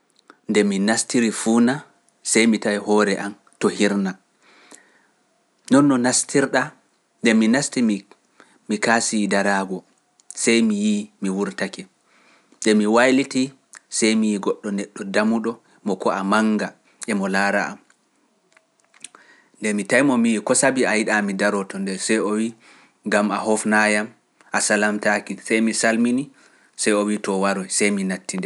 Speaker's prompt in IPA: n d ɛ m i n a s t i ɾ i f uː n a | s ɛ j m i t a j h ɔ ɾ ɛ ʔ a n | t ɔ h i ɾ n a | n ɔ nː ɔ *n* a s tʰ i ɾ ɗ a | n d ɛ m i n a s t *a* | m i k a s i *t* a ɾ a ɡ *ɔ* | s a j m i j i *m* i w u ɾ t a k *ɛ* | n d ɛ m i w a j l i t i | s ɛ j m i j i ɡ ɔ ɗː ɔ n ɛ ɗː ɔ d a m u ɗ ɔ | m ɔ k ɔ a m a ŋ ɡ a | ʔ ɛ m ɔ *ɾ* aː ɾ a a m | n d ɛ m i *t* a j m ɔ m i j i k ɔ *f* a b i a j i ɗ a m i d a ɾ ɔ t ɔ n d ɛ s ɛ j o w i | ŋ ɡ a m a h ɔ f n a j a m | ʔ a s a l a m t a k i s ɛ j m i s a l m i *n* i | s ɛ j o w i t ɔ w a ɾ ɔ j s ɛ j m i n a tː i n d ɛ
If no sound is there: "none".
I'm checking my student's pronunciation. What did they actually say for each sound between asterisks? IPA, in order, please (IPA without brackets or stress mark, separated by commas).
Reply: n, i, d, ɔ, m, ɛ, l, t, s, n